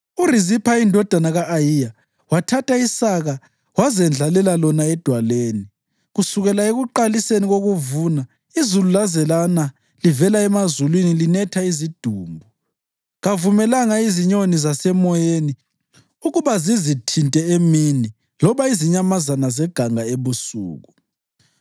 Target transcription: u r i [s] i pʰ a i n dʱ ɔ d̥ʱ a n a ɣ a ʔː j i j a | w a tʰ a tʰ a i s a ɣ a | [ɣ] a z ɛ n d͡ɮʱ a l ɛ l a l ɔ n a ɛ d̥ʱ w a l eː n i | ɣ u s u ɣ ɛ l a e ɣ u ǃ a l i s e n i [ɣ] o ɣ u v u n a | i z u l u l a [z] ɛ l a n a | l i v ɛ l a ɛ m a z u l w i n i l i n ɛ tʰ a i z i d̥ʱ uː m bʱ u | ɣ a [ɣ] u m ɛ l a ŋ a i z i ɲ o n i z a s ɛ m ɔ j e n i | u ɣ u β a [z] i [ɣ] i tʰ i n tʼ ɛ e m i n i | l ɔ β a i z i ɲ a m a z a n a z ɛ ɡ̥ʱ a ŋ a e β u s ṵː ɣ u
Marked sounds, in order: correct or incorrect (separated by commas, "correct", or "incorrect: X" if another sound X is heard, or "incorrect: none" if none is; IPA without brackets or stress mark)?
incorrect: z, incorrect: w, correct, correct, incorrect: v, correct, incorrect: z